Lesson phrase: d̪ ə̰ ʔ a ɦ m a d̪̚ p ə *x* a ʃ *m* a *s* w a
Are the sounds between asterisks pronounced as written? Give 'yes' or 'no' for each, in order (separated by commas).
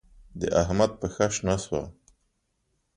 yes, no, yes